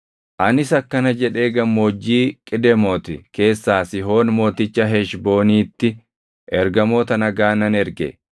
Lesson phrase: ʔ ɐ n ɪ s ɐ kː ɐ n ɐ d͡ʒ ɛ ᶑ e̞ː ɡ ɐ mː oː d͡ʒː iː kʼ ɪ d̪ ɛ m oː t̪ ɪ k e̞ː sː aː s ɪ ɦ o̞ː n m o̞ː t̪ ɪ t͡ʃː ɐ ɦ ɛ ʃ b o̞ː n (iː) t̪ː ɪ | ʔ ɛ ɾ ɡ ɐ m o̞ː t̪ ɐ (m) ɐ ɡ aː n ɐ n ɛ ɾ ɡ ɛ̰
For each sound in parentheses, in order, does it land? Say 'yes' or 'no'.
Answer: yes, no

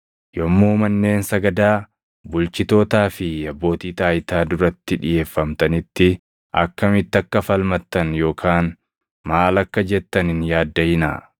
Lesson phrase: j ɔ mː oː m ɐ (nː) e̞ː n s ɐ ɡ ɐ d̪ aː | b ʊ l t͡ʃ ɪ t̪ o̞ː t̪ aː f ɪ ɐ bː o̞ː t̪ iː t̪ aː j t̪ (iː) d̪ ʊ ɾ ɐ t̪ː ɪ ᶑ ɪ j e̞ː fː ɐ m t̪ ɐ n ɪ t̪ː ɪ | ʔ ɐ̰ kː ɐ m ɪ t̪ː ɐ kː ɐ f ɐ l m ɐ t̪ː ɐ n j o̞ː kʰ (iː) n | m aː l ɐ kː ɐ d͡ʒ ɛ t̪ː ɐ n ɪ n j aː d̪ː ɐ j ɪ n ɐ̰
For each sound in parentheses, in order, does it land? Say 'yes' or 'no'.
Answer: yes, no, no

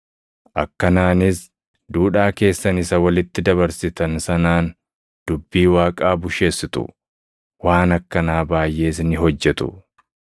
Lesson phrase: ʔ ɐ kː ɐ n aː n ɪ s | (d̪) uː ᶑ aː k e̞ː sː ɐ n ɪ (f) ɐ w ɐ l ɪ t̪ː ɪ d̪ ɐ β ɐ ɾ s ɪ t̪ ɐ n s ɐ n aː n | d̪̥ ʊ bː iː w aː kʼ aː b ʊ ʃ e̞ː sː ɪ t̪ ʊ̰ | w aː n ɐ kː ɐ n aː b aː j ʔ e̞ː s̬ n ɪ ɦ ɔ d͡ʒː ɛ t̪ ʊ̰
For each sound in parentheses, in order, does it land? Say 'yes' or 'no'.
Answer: yes, no

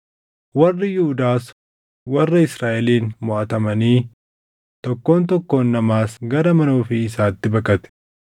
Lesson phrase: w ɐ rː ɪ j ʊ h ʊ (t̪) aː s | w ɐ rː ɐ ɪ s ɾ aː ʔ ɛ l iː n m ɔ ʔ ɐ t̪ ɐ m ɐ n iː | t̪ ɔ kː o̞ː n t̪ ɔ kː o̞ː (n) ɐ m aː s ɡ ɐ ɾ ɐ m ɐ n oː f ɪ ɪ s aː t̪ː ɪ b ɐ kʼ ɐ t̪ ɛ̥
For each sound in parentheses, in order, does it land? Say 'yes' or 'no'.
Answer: no, no

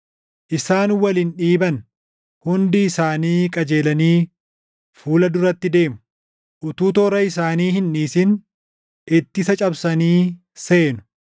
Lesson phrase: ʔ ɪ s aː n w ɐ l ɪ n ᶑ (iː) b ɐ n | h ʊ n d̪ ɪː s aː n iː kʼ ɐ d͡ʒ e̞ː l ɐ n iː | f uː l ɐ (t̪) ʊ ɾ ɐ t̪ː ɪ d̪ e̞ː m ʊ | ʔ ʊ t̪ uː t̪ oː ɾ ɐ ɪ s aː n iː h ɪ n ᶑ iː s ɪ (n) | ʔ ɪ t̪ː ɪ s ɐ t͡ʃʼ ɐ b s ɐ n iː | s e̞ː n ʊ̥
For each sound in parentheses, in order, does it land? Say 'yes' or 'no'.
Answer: yes, no, yes

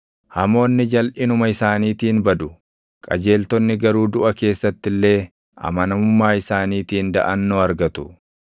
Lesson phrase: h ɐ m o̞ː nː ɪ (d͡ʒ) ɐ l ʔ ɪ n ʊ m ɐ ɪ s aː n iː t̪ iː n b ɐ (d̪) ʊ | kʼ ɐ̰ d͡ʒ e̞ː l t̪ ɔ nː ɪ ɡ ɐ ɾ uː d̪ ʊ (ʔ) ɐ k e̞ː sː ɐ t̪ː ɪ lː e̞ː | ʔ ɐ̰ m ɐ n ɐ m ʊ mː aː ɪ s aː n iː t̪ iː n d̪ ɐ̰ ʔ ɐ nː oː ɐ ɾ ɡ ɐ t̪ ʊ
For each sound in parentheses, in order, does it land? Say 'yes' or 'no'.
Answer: yes, yes, yes

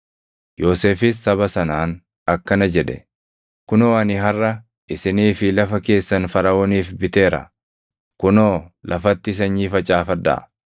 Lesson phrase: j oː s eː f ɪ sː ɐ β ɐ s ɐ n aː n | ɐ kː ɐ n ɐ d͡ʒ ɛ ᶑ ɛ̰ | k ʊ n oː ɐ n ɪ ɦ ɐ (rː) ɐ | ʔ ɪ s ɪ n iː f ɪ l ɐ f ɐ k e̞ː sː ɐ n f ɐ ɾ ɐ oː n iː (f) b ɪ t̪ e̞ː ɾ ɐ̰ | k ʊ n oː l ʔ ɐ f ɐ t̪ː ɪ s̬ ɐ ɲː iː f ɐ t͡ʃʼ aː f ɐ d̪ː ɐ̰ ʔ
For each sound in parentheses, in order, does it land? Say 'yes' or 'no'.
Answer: yes, yes

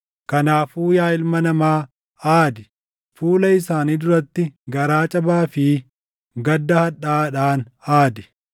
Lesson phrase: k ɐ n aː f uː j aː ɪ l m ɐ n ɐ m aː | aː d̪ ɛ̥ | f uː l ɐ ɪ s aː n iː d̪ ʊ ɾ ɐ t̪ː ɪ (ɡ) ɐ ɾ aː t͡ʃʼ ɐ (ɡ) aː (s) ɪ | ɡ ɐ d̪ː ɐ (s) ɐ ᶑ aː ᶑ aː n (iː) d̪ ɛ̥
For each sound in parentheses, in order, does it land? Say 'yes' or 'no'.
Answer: yes, no, no, no, no

